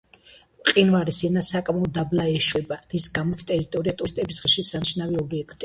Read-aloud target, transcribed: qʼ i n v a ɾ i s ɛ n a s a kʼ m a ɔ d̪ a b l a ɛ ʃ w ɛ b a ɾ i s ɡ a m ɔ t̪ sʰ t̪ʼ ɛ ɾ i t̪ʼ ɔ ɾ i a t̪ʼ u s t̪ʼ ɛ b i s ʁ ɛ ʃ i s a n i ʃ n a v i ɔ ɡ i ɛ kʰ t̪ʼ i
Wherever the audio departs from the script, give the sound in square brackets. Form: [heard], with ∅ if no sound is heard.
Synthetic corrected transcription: qʼ i n v a ɾ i s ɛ n a s a kʼ m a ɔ d̪ a b l a ɛ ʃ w ɛ b a ɾ i s ɡ a m ɔ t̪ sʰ t̪ʼ ɛ ɾ i t̪ʼ ɔ ɾ i a t̪ʼ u s t̪ʼ ɛ b i s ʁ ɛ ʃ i s a n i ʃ n a v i ɔ [b] i ɛ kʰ t̪ʼ i